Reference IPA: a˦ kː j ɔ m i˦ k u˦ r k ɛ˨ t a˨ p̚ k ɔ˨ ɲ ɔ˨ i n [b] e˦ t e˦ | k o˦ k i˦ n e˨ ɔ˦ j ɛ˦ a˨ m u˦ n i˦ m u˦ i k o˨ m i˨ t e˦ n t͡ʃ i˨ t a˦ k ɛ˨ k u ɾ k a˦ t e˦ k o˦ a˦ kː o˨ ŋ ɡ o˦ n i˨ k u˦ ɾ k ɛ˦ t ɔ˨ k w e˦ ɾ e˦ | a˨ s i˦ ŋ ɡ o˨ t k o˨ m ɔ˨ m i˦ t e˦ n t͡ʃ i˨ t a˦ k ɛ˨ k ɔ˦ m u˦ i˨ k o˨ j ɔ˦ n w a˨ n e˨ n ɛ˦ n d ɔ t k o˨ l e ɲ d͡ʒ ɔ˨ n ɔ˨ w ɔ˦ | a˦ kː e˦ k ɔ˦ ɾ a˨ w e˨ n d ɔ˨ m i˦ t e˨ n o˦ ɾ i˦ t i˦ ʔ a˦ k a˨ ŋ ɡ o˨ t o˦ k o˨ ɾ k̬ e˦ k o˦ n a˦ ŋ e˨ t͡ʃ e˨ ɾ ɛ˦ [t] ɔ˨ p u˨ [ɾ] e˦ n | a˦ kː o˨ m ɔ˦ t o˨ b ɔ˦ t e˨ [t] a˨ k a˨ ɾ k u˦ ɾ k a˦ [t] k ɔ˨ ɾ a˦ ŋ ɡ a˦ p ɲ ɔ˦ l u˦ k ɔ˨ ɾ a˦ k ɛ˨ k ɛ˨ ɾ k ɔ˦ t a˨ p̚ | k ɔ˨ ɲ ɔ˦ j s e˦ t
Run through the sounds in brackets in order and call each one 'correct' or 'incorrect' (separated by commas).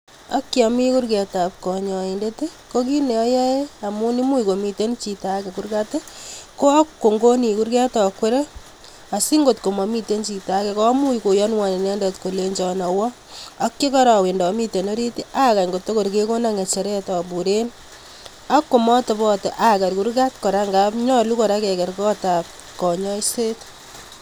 incorrect, correct, correct, incorrect, correct